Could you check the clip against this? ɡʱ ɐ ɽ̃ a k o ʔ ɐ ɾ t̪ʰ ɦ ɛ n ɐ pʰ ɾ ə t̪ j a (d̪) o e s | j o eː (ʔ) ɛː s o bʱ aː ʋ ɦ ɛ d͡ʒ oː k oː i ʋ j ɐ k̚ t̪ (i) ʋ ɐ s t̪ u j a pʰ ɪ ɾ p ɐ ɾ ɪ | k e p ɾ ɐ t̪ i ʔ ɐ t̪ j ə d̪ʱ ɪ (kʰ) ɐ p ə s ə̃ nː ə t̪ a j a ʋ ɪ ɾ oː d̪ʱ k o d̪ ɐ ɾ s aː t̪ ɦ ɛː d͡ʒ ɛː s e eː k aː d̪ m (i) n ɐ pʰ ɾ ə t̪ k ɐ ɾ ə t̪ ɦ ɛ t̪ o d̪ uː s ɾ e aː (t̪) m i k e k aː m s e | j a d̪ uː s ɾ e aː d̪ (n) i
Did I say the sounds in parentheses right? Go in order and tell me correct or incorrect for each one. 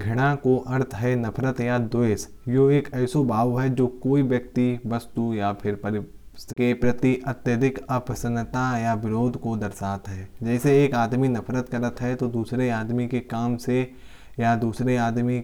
correct, incorrect: k, correct, incorrect: k, correct, incorrect: d̪, incorrect: m

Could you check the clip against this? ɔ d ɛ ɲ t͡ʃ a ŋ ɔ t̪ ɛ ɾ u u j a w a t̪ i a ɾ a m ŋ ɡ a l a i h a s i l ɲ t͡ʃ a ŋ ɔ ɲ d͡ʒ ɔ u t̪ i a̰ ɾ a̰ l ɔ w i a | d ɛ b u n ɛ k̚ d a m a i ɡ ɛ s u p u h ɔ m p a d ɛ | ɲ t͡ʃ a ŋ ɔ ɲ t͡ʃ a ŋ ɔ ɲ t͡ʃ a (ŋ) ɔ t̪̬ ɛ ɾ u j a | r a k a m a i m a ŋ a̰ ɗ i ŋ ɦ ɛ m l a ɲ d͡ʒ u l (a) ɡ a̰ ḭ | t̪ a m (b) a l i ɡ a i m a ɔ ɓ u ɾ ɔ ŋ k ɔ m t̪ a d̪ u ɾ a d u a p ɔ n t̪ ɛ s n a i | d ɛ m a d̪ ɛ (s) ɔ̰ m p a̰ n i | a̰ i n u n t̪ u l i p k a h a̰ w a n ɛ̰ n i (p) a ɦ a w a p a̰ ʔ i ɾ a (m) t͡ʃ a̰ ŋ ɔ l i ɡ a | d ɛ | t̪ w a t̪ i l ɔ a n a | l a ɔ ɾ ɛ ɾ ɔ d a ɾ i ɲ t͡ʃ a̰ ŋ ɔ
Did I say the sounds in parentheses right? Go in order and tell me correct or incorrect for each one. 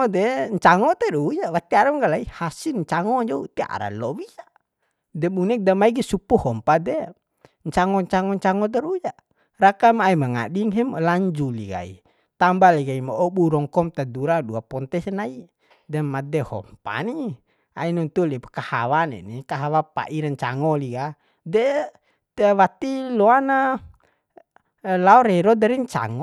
correct, incorrect: i, correct, incorrect: h, incorrect: k, incorrect: ɲ

